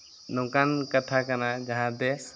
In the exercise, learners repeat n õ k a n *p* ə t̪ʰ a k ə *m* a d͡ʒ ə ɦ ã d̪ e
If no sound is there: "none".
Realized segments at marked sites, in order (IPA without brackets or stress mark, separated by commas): k, n